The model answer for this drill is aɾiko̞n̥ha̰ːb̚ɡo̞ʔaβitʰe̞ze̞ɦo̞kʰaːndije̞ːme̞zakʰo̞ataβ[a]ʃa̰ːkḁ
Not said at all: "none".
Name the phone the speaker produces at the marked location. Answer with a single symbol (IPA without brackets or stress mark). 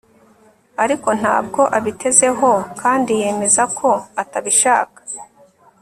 i